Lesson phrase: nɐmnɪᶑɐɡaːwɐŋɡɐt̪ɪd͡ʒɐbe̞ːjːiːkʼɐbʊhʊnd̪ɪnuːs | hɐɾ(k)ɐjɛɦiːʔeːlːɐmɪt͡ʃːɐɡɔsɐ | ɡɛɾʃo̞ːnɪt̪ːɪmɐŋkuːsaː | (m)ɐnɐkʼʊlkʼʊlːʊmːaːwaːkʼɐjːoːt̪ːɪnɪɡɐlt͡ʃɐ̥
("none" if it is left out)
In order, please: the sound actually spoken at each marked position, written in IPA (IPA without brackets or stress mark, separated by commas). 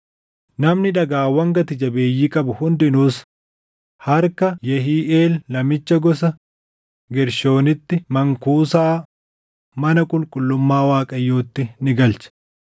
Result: k, m